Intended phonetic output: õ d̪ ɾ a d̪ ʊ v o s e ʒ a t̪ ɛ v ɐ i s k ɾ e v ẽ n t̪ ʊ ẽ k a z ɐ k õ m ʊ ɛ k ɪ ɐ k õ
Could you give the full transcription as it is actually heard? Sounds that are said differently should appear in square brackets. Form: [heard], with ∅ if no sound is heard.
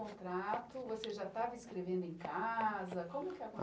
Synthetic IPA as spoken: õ [t̪] ɾ a [t̪] ʊ v o s e ʒ a t̪ [a] v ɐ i s k ɾ e v ẽ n [d̪] ʊ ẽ k a z ɐ k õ m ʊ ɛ k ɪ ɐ k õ